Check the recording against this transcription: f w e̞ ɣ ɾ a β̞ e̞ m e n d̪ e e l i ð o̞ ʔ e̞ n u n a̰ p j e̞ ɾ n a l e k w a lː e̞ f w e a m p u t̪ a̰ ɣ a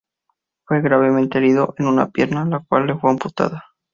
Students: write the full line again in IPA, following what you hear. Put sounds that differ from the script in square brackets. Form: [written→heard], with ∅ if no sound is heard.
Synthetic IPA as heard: f w e̞ ɣ ɾ a β̞ e̞ m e n [d̪→t̪] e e [l→ɾ] i ð o̞ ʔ e̞ n u n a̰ p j e̞ ɾ n a l [e→a] k w a lː e̞ f w e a m p u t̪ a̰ [ɣ→ð] a